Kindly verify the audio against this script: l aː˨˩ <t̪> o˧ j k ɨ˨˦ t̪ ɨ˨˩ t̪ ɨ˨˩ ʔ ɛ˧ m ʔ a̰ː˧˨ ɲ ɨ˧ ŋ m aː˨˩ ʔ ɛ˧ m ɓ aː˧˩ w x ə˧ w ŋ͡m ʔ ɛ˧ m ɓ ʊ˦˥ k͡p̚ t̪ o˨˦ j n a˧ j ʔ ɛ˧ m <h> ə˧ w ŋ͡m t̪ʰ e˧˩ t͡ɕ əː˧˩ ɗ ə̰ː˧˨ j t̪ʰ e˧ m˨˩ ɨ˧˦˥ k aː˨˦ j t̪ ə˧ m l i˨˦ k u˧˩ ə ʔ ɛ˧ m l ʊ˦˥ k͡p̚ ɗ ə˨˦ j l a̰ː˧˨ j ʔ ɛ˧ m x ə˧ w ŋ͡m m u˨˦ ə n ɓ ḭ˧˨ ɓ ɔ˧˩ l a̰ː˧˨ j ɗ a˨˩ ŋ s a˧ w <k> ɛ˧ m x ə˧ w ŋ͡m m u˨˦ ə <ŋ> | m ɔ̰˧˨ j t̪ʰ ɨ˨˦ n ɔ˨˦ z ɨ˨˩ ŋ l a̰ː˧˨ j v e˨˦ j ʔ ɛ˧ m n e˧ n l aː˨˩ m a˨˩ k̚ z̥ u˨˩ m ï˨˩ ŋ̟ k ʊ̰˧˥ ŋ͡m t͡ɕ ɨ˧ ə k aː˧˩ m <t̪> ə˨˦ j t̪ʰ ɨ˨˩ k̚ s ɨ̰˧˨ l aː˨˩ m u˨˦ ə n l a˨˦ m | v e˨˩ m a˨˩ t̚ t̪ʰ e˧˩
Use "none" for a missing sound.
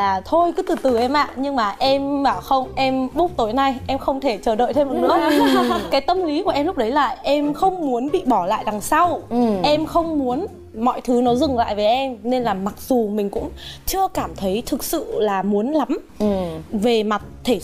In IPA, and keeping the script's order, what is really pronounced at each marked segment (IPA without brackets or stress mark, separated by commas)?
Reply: t̪ʰ, x, ʔ, n, t̪ʰ